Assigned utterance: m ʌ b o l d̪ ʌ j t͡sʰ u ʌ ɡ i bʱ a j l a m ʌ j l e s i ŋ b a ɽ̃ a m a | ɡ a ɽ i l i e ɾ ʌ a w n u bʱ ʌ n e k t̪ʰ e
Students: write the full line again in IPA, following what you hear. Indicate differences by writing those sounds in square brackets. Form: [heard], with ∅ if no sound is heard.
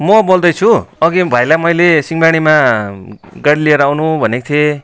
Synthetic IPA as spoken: m ʌ b o l d̪ ʌ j t͡sʰ u ʌ ɡ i bʱ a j l a m ʌ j l e s i ŋ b a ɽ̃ [i] m a | ɡ a ɽ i l i e ɾ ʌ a w n u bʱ ʌ n e k t̪ʰ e